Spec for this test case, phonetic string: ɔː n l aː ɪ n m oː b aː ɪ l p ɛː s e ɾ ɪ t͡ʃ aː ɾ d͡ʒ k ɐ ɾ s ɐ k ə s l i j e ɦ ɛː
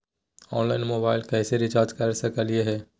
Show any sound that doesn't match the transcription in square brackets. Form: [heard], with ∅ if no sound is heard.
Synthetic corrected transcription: ɔː n l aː ɪ n m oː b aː ɪ l [k] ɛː s e ɾ ɪ t͡ʃ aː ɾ d͡ʒ k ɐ ɾ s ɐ k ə [∅] l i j e ɦ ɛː